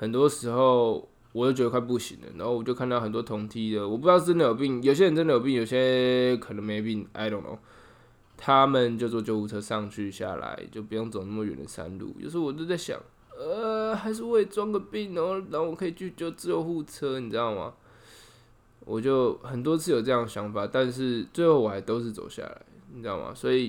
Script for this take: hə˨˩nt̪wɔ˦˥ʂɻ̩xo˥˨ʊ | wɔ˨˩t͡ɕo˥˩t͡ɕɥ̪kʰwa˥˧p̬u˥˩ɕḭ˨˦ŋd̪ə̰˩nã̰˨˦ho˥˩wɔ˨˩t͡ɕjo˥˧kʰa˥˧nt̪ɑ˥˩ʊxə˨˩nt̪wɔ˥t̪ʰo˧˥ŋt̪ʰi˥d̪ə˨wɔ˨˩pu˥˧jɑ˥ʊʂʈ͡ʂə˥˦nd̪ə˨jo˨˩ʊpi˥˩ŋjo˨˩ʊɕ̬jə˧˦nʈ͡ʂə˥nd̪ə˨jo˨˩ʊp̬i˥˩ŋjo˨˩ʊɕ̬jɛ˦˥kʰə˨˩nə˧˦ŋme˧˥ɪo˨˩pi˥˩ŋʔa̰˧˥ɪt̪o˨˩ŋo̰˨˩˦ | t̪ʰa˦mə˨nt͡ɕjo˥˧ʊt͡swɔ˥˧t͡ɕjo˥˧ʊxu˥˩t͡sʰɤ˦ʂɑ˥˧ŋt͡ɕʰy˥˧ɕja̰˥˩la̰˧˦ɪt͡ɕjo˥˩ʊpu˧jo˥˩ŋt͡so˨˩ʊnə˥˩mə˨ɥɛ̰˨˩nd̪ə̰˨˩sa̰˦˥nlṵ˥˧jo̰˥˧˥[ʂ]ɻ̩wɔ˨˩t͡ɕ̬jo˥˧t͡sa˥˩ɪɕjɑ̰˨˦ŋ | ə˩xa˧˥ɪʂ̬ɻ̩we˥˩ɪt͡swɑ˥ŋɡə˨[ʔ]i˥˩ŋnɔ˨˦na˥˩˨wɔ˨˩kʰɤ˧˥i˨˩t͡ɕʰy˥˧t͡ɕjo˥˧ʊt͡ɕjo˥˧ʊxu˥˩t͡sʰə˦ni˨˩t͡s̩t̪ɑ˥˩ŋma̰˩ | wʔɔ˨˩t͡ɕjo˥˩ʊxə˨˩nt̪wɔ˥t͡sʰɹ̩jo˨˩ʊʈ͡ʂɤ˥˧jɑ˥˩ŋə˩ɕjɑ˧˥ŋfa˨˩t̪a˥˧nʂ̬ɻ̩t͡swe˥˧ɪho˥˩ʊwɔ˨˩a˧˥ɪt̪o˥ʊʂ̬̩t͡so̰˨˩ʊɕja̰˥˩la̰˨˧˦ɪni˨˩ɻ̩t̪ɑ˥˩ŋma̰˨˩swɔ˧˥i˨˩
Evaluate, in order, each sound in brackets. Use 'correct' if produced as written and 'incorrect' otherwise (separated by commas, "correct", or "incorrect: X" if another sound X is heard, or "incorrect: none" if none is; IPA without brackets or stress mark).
correct, incorrect: p